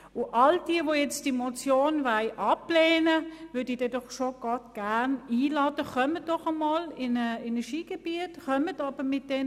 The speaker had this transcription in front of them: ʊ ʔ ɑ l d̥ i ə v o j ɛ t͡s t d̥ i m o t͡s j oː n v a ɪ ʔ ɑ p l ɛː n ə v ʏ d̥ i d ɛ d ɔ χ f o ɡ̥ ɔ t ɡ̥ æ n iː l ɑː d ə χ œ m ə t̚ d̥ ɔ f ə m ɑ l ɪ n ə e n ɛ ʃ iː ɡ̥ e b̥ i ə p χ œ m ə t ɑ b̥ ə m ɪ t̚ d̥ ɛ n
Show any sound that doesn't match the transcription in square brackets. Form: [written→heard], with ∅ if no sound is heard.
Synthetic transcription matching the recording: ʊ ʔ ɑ l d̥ i ə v o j ɛ t͡s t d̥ i m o t͡s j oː n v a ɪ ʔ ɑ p l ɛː n ə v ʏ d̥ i d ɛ d ɔ χ [f→ʃ] o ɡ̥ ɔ t ɡ̥ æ n iː l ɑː d ə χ œ m ə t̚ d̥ ɔ [f→χ] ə m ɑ l ɪ n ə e n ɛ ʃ iː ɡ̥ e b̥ i ə [p→t] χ œ m ə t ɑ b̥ ə m ɪ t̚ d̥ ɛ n